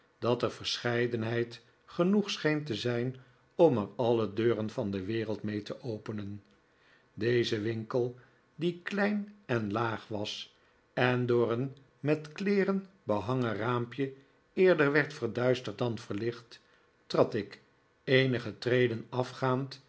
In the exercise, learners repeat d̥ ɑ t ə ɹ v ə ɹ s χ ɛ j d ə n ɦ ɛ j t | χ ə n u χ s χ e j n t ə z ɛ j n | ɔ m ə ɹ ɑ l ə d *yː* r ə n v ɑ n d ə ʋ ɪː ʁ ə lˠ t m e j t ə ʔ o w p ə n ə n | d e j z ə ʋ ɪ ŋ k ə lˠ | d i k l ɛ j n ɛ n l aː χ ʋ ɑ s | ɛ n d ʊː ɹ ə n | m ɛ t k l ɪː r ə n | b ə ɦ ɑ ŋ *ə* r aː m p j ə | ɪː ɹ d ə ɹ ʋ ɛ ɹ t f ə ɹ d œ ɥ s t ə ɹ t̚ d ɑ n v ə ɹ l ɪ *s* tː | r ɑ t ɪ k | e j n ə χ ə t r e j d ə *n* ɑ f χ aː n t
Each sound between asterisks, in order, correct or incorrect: incorrect, correct, incorrect, correct

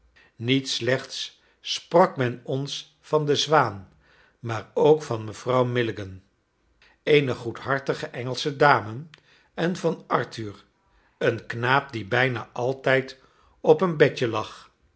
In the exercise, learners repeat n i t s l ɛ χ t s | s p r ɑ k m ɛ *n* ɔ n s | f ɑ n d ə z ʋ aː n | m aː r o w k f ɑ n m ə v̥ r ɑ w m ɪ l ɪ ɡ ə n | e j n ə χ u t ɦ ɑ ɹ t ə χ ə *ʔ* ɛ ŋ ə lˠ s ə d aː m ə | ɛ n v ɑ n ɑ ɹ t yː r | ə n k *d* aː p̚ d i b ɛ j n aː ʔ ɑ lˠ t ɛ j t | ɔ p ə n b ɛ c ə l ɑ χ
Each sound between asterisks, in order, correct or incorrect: correct, correct, incorrect

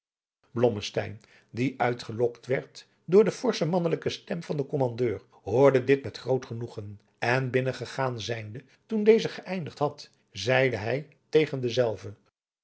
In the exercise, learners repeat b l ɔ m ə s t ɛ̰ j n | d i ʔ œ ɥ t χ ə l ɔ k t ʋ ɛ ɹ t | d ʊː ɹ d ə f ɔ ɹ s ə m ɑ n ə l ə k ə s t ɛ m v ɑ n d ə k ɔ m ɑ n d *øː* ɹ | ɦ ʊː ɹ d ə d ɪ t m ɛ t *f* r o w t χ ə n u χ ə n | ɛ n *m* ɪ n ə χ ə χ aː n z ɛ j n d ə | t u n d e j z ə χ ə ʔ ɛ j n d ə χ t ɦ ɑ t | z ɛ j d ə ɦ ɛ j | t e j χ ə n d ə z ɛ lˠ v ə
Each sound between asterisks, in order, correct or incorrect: correct, incorrect, incorrect

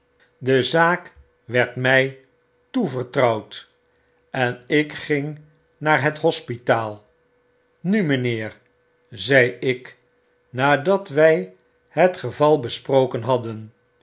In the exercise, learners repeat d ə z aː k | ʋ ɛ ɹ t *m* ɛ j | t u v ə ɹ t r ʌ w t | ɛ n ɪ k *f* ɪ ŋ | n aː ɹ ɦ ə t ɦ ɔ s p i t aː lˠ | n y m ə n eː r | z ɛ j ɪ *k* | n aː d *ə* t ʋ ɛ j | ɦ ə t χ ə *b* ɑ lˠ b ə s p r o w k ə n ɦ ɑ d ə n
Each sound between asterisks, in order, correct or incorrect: correct, incorrect, correct, incorrect, incorrect

